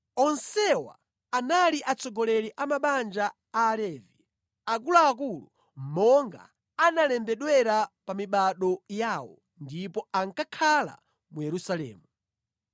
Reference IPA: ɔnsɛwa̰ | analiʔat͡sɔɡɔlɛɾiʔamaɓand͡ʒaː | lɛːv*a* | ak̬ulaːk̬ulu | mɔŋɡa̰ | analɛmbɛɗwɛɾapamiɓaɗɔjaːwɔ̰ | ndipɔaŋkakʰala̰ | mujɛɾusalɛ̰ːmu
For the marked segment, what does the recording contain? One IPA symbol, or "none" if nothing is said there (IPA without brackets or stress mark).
i